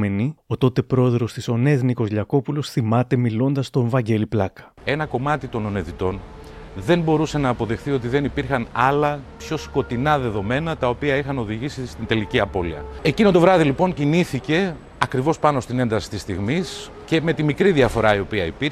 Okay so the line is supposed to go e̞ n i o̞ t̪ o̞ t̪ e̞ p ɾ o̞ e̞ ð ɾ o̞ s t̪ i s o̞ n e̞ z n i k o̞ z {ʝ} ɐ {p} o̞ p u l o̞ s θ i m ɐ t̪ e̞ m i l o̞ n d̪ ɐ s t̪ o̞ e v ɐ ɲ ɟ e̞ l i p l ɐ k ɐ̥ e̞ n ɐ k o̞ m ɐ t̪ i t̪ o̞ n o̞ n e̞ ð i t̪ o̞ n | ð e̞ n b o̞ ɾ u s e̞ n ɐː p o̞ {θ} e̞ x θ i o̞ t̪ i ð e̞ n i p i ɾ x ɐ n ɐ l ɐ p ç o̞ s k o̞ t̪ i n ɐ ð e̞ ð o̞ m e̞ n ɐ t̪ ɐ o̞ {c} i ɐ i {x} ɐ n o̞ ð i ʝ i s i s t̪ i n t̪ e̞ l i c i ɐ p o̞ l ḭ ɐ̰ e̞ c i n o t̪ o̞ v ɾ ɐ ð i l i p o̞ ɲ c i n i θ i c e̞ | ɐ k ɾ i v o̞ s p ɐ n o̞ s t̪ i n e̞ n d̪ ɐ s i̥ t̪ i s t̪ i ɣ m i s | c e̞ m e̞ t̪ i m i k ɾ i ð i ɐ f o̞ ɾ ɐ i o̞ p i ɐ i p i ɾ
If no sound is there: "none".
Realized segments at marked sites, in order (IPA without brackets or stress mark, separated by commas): ʎ, k, ð, p, x